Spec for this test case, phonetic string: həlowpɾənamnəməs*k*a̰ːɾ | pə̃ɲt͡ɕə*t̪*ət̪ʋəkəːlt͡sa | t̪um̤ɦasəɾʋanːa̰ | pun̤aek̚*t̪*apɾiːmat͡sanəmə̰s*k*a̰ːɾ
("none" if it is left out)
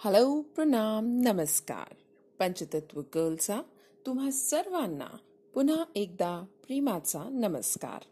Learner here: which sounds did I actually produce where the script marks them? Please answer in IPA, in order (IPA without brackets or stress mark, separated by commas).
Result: k, t̪, d̪, k